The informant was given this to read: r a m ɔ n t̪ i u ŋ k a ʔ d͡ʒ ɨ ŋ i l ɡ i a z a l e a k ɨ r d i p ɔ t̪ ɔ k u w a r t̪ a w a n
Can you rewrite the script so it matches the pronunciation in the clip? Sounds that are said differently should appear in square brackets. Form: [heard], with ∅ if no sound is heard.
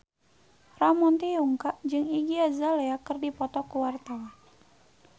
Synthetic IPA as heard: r a m ɔ n t̪ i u ŋ k a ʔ d͡ʒ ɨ ŋ i [∅] ɡ i a z a l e a k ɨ r d i p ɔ t̪ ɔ k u w a r t̪ a w a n